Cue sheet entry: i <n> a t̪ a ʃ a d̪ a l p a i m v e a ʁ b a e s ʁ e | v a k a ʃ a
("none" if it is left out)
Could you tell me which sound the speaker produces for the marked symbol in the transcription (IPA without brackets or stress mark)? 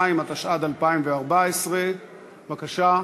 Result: m